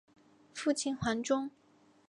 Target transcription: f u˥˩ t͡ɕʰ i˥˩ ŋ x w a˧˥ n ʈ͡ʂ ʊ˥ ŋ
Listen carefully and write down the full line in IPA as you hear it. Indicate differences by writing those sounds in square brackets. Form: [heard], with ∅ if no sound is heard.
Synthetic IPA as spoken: f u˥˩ t͡ɕʰ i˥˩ [n] x w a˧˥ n ʈ͡ʂ ʊ˥ ŋ